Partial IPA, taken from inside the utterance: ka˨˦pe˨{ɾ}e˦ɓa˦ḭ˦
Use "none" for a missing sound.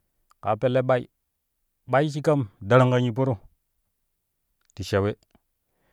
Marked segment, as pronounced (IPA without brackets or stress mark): l